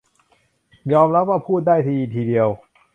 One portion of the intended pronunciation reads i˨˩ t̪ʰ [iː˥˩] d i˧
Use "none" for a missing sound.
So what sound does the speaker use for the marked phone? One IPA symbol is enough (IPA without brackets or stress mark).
iː˧